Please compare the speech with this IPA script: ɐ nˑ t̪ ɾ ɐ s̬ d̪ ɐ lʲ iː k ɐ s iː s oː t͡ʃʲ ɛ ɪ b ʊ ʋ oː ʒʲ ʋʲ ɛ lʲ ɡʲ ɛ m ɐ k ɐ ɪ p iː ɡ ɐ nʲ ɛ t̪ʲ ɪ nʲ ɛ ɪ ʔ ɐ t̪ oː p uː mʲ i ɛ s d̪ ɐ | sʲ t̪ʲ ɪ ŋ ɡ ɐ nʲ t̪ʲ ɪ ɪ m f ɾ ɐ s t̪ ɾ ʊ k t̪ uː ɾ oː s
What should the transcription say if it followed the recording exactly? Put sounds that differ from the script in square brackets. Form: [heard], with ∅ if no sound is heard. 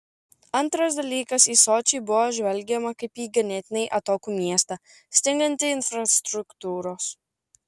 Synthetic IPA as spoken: ɐ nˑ t̪ ɾ ɐ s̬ d̪ ɐ lʲ iː k ɐ s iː s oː t͡ʃʲ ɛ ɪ b ʊ ʋ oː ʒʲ ʋʲ ɛ lʲ ɡʲ ɛ m ɐ k ɐ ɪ p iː ɡ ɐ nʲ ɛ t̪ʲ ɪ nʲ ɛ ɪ ʔ ɐ t̪ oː [k] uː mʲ i ɛ s [t̪] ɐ | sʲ t̪ʲ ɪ ŋ ɡ ɐ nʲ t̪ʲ ɪ ɪ [n] f ɾ ɐ s t̪ ɾ ʊ k t̪ uː ɾ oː s